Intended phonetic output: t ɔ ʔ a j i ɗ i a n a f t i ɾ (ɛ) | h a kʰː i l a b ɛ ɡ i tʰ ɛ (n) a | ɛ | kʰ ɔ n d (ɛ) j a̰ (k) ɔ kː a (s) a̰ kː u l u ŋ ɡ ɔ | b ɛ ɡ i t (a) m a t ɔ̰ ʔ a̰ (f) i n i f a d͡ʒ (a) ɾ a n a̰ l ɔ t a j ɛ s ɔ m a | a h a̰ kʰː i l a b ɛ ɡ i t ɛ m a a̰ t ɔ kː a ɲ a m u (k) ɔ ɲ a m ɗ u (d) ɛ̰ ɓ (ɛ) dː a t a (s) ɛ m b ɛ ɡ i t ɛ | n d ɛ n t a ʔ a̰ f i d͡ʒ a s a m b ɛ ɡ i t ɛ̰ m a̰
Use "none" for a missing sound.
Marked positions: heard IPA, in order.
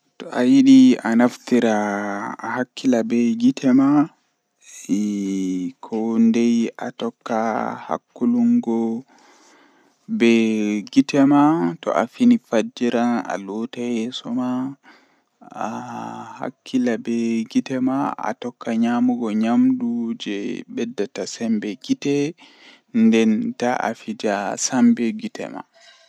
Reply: a, m, ɛ, t, h, ɛ, f, i, ɡ, d͡ʒ, ɛ, s

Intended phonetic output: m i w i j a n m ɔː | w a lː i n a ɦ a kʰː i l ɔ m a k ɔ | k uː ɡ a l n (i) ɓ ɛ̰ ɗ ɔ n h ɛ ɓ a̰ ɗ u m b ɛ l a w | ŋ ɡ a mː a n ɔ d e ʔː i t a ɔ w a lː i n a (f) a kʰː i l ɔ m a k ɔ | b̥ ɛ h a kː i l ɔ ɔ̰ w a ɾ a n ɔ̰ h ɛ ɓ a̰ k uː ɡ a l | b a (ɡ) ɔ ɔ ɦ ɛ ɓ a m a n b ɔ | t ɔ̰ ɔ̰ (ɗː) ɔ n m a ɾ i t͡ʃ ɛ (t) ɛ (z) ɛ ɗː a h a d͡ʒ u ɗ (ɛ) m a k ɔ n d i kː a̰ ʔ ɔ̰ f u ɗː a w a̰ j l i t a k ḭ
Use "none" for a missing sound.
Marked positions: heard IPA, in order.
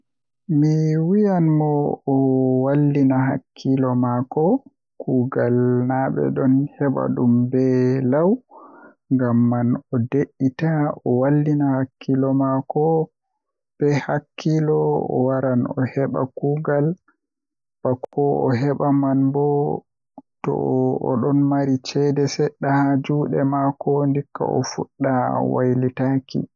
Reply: a, h, k, ɗ, d, s, ɛ

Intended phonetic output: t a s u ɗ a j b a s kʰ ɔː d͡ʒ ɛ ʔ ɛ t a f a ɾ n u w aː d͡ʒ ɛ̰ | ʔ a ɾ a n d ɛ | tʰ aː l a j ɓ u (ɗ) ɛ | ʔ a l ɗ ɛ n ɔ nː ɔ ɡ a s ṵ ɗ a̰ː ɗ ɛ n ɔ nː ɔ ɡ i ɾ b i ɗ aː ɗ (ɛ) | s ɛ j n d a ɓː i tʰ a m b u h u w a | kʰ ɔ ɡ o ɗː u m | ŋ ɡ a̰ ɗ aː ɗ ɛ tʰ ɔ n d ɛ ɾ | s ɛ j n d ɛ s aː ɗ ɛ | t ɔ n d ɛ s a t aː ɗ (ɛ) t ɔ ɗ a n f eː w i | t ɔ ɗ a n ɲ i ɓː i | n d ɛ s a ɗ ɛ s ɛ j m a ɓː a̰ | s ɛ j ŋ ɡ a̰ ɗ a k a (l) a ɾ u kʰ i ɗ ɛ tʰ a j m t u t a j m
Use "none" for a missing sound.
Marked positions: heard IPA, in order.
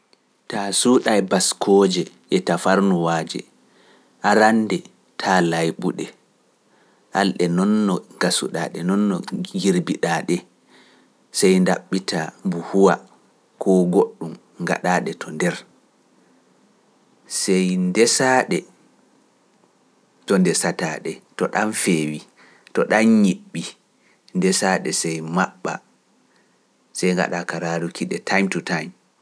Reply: ɗ, ɛ, ɛ, ɾ

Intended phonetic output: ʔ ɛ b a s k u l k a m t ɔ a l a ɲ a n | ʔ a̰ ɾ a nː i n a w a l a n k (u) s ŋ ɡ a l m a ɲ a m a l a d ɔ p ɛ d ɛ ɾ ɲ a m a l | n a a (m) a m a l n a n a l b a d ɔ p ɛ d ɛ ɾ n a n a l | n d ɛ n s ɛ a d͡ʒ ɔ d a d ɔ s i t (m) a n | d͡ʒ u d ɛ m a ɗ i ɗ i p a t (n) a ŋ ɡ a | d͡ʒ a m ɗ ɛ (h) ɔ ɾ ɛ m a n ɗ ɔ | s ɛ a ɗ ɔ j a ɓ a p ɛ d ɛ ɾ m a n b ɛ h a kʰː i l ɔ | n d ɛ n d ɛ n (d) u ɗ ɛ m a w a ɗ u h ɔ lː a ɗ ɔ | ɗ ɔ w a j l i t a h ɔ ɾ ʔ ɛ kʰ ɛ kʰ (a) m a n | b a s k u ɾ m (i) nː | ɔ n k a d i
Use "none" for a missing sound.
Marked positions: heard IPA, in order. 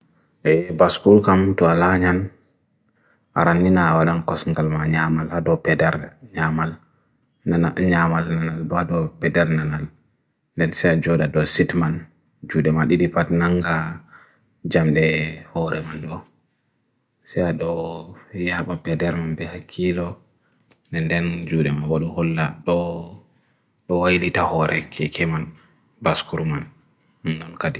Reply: ɔ, ɲ, m, n, h, d͡ʒ, ɛ, a

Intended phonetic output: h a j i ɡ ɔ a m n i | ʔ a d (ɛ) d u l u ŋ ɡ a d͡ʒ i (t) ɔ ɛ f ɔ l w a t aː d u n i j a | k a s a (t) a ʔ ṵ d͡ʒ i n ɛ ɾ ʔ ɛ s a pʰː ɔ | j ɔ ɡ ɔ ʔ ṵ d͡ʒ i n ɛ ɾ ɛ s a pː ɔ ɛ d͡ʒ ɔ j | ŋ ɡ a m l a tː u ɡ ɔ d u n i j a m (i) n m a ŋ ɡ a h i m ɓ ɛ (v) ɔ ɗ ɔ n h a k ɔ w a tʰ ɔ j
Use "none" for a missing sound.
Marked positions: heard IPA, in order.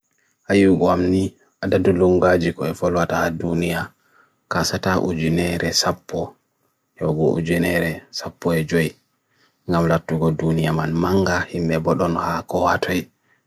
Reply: a, k, t, a, b

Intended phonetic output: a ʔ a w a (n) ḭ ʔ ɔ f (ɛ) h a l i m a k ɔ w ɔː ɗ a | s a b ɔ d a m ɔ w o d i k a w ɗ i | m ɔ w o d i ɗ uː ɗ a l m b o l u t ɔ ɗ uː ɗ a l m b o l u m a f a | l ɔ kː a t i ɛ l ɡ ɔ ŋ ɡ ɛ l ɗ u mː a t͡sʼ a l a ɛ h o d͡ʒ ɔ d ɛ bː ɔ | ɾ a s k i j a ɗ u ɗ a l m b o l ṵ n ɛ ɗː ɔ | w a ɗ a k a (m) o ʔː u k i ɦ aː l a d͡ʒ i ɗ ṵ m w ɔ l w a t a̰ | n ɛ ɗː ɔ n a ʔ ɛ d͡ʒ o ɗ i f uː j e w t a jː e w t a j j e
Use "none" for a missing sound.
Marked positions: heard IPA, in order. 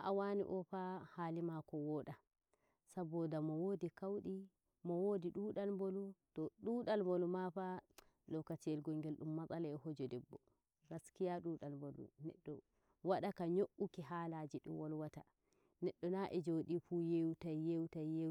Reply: n, a, ɲ

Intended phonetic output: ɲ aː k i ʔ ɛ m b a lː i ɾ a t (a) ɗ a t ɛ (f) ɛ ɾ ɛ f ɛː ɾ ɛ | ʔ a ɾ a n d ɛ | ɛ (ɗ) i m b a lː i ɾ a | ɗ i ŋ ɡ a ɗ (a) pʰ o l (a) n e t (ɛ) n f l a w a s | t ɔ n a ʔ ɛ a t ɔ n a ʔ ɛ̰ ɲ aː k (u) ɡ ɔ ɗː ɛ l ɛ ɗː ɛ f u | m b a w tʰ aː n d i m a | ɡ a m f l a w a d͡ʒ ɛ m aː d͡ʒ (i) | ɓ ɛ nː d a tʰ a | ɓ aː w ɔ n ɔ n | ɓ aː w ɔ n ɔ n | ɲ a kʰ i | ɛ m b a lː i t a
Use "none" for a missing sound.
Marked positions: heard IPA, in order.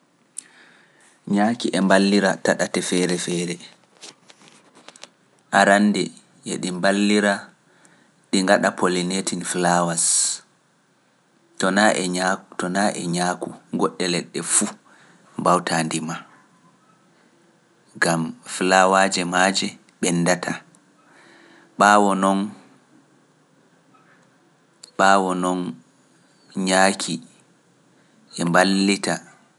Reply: a, f, ɗ, a, i, i, u, ɛ

